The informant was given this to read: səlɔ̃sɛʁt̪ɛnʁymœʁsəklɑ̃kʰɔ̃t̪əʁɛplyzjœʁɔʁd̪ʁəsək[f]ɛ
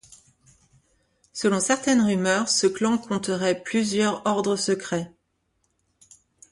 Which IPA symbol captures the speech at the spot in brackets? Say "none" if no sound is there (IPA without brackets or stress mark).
χ